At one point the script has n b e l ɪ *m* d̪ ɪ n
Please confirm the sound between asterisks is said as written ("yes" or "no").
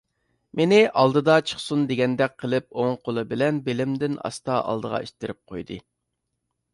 yes